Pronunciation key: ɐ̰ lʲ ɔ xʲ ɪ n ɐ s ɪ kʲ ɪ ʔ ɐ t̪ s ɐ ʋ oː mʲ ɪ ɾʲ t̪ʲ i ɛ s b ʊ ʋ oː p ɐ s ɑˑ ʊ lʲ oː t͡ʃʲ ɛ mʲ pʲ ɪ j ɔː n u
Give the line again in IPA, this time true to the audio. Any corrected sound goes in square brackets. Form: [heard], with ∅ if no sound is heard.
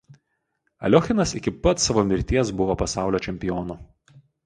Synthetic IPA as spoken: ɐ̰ lʲ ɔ xʲ ɪ n ɐ s ɪ kʲ ɪ [p] ɐ t̪ s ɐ ʋ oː mʲ ɪ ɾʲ t̪ʲ i ɛ s b ʊ ʋ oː p ɐ s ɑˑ ʊ lʲ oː t͡ʃʲ ɛ mʲ pʲ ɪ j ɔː n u